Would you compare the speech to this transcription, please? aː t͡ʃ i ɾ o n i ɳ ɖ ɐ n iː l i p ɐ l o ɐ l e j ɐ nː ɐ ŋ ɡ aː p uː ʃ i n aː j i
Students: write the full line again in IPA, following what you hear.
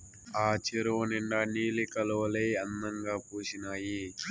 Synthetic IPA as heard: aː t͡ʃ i ɾ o n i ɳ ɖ ɐ n iː l i k ɐ l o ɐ l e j ɐ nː ɐ ŋ ɡ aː p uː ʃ i n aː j i